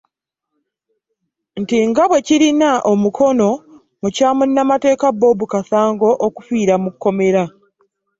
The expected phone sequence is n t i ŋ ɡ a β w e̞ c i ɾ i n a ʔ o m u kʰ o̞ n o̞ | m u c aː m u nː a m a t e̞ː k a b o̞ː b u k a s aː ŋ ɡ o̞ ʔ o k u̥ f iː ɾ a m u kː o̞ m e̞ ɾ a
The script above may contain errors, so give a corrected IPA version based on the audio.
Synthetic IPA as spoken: n t i ŋ ɡ a β w e̞ c i ɾ i n a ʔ o m u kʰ o̞ n o̞ | m u c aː m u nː a m a t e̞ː k a b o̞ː b u k a s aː ŋ ɡ o̞ ʔ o k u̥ f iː ɾ a m u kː o̞ m e̞ ɾ a